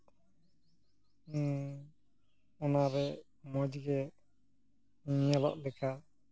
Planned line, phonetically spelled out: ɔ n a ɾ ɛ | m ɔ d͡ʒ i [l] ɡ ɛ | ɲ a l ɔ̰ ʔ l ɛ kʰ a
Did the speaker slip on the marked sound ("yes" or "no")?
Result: yes